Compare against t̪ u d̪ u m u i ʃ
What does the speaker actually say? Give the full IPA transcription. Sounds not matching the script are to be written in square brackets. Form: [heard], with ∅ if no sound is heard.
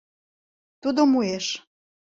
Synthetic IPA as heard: t̪ u d̪ [o] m u [e] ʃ